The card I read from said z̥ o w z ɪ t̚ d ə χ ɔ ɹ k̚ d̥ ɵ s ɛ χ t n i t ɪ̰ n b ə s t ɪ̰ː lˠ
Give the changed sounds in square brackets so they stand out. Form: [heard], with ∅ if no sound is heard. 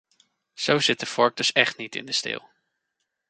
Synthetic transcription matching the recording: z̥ o w z ɪ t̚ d ə [f] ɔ ɹ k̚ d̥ ɵ s ɛ χ t n i t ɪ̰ n [d] ə s t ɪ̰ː lˠ